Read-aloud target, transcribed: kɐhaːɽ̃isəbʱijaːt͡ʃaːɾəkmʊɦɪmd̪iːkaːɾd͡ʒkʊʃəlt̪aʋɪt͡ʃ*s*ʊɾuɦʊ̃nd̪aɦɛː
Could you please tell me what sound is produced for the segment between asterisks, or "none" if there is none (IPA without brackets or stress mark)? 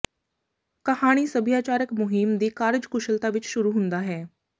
ʃ